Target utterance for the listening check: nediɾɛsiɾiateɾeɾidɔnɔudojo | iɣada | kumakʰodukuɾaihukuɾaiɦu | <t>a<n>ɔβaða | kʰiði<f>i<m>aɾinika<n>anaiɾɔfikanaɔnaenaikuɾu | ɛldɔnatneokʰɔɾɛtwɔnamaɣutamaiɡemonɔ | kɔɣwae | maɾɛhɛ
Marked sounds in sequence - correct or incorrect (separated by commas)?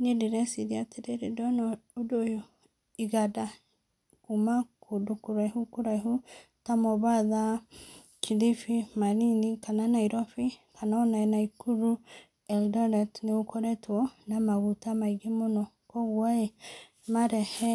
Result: correct, incorrect, correct, correct, correct